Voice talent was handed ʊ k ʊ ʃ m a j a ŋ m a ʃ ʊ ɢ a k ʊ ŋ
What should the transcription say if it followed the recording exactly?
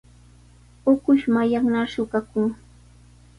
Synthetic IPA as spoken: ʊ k ʊ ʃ m a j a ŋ n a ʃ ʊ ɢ a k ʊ ŋ